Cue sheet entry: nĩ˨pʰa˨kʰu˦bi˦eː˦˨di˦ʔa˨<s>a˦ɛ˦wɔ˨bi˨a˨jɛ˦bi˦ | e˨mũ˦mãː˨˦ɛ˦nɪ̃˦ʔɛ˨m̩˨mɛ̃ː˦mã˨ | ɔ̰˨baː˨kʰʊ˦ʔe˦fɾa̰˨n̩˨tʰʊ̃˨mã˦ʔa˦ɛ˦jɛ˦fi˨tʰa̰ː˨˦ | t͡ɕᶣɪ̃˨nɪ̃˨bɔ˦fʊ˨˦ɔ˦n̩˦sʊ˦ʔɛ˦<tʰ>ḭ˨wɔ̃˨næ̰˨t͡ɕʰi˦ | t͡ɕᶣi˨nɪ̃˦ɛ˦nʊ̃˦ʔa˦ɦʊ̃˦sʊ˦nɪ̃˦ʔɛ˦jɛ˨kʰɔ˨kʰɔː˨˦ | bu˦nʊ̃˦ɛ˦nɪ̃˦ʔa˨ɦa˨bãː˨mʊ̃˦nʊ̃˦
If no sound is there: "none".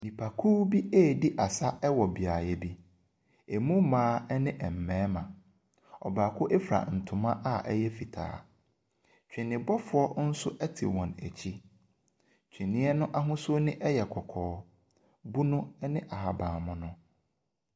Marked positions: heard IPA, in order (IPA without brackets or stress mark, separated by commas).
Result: s, tʰ